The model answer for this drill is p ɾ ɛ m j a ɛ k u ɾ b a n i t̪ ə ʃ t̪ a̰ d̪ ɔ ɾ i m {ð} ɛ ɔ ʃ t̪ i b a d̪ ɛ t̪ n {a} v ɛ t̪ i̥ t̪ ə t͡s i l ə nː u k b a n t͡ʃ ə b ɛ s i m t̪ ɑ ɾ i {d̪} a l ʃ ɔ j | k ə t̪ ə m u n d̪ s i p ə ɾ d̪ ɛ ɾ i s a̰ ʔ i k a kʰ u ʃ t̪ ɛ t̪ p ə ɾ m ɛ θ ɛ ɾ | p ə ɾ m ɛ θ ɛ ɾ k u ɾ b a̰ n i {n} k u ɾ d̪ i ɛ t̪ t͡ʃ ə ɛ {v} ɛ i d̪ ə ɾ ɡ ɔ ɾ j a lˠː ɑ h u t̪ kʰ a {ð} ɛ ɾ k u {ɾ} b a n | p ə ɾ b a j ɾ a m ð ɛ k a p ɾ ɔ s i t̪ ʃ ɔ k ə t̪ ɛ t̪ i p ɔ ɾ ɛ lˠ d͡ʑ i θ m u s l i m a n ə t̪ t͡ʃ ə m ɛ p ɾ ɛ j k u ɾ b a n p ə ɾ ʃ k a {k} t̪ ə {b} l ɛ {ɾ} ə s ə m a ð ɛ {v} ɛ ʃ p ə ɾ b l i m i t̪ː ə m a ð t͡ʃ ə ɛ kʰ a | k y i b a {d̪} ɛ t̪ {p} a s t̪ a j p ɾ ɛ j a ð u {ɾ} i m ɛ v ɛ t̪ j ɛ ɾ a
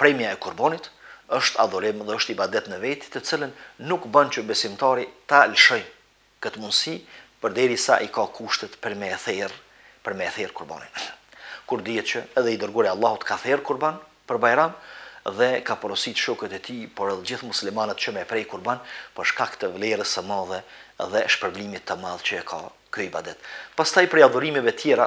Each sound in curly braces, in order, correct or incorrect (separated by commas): correct, incorrect, incorrect, correct, incorrect, incorrect, correct, correct, incorrect, correct, incorrect, correct, correct, correct